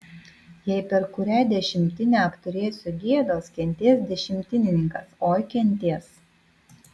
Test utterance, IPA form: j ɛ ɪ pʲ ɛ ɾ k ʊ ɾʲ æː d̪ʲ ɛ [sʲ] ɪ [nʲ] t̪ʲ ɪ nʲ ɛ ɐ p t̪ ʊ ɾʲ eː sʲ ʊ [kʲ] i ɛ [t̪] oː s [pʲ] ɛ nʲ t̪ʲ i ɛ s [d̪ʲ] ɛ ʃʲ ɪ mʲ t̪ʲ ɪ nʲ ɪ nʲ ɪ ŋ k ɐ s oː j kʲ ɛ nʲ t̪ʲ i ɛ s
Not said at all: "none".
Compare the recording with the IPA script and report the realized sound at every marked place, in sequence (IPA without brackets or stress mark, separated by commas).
ʃʲ, mʲ, ɡʲ, d̪, kʲ, d̪ʲ